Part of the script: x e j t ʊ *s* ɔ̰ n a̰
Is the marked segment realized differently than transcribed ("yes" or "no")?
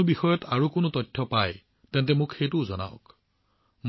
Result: yes